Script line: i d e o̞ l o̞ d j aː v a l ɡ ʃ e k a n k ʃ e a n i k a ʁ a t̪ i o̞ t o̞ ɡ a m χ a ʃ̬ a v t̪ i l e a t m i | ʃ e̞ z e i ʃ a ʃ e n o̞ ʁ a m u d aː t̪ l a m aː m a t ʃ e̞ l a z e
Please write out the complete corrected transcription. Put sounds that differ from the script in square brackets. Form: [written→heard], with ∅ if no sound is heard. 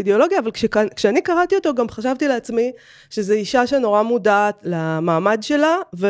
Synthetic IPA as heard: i d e o̞ l o̞ [d→ɡ] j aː v a l [ɡ→k] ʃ e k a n k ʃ e a n i k a ʁ a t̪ i o̞ t o̞ ɡ a m χ a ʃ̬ a v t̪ i l e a [t→t͡s] m i | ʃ e̞ z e i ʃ a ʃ e n o̞ ʁ a m u d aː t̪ l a m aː m a [t→d] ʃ e̞ l a [z→v] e